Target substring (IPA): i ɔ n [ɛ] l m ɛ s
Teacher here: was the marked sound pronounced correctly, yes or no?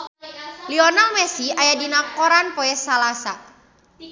no